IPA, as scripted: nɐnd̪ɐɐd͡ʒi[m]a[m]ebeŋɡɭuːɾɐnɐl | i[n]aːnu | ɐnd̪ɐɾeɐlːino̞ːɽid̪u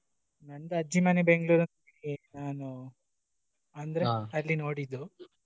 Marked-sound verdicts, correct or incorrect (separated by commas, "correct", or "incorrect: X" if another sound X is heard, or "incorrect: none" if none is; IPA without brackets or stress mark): correct, incorrect: n, correct